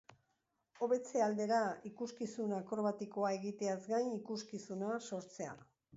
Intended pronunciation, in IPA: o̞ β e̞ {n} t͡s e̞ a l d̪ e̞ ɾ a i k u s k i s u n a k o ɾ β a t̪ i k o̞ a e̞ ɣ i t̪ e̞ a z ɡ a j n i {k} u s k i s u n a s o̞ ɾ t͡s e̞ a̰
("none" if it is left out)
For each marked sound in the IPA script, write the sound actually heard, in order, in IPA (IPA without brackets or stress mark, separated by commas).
none, k